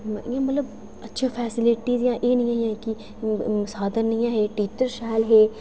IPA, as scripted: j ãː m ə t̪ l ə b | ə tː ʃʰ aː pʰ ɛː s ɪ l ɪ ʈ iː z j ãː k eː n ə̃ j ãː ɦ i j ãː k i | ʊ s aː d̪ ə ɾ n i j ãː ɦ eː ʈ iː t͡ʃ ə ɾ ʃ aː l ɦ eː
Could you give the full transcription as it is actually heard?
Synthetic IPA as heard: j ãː m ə t̪ l ə b | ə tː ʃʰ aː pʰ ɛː s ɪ l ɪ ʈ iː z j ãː ʔ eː n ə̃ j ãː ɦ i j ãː k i | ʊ s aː d̪ ə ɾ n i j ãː ɦ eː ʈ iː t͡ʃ ə ɾ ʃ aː l ɦ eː